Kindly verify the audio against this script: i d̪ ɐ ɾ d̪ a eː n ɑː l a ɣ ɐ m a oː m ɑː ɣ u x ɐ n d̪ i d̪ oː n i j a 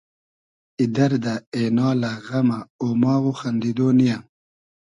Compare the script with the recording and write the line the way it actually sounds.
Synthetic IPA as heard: i d̪ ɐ ɾ d̪ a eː n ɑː l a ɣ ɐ m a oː m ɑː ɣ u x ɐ n d̪ i d̪ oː n i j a